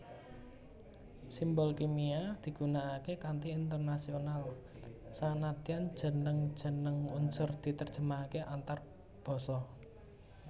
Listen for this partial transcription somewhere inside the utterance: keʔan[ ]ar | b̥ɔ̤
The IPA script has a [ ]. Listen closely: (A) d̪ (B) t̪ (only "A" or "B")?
B